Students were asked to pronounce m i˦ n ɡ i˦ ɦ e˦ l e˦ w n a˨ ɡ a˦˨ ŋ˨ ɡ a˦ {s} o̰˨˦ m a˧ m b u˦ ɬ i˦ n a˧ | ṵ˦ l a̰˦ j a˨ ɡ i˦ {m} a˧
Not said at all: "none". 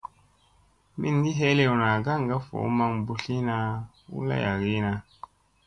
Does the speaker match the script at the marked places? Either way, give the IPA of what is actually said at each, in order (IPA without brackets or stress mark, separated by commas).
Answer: f, n